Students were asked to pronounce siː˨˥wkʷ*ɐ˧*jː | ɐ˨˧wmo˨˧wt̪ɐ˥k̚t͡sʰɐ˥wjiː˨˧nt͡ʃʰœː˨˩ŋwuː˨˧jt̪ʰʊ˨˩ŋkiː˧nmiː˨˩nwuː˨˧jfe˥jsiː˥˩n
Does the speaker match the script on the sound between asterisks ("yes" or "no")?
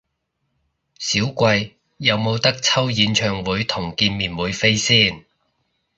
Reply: yes